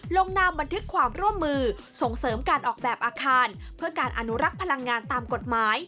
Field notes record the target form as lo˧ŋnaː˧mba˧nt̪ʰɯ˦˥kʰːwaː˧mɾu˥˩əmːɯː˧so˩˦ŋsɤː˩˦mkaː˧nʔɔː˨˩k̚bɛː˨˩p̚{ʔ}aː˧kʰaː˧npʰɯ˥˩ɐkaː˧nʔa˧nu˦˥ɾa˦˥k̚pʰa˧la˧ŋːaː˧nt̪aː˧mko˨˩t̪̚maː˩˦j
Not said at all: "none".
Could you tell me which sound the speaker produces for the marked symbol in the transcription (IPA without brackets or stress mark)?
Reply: ʔ